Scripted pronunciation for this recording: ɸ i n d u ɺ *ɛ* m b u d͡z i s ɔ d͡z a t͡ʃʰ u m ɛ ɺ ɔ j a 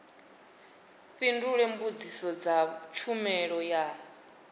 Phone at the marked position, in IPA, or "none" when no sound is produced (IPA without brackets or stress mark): ɛ